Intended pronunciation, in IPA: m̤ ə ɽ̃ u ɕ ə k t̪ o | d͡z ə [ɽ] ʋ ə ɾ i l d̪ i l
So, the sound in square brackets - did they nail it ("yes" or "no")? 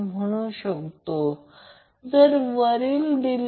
no